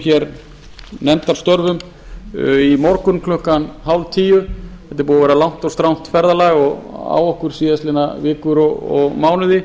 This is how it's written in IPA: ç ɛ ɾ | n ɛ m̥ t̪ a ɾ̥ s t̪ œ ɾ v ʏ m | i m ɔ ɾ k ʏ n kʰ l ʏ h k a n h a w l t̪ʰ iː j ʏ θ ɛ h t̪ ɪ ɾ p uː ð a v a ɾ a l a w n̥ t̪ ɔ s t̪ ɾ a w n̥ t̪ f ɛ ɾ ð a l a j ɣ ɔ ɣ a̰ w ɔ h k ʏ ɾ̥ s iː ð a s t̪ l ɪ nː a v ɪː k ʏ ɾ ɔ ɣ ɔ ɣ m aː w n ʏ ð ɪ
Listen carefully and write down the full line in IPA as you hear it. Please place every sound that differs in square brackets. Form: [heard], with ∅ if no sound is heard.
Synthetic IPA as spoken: ç ɛ ɾ | n ɛ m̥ t̪ a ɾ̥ s t̪ œ ɾ v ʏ m | i m ɔ ɾ k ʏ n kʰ l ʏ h k a n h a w l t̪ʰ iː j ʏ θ ɛ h t̪ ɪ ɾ p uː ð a v [ɛ] ɾ a l a w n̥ t̪ ɔ s t̪ ɾ a w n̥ t̪ f ɛ ɾ ð a l a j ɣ ɔ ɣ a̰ w ɔ h k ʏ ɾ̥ s iː ð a s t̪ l ɪ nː a v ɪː k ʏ ɾ ɔ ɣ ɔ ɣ m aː w n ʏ ð ɪ